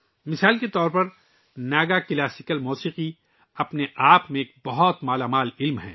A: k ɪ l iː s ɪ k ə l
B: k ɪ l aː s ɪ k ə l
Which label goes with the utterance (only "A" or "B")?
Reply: B